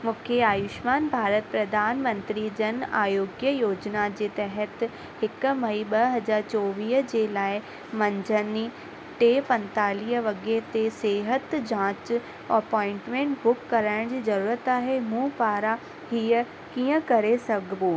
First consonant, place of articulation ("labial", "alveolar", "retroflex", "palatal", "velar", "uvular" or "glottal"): labial